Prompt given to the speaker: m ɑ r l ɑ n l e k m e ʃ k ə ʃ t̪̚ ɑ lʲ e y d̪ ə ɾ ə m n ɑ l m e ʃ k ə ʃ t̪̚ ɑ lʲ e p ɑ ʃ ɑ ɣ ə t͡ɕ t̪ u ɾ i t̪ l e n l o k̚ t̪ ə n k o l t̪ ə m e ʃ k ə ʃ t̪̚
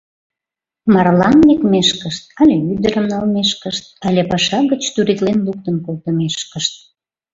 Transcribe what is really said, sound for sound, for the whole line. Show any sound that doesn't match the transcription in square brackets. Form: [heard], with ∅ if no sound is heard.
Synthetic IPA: m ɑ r l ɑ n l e k m e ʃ k ə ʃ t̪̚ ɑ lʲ e y d̪ ə ɾ ə m n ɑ l m e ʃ k ə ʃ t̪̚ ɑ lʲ e p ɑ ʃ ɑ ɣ ə t͡ɕ t̪ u ɾ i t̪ l e n l [u] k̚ t̪ ə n k o l t̪ ə m e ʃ k ə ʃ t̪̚